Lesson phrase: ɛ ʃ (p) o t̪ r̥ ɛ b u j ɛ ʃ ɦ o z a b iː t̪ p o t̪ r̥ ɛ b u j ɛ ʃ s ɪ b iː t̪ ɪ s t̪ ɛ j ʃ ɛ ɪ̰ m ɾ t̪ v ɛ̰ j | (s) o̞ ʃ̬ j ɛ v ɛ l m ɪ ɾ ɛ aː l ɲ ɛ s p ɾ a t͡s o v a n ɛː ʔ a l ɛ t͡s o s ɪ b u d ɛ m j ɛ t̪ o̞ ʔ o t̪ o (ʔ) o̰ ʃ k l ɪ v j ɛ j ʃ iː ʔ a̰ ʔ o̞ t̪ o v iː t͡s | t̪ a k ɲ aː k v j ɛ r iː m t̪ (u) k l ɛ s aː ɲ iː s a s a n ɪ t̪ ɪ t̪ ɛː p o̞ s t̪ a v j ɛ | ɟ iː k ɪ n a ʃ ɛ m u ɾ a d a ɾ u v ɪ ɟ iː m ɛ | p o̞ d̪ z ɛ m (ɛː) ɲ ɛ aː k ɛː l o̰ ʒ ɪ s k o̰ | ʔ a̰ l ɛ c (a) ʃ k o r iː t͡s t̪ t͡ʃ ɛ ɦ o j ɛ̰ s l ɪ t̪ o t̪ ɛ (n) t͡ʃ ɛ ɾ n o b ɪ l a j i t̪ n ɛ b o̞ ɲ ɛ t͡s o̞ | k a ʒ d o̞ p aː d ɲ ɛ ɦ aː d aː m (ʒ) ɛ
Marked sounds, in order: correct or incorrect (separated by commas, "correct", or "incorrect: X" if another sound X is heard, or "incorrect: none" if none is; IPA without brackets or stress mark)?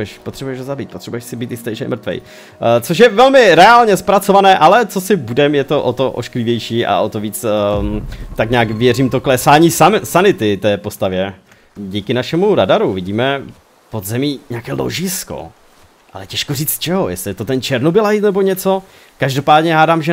correct, incorrect: t͡s, correct, incorrect: o, incorrect: iː, incorrect: ɛ, correct, correct